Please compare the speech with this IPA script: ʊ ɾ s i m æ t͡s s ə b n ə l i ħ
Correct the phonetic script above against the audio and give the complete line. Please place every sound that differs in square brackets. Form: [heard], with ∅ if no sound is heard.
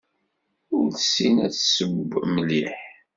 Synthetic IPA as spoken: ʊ ɾ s i [n] æ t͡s s ə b [m] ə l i ħ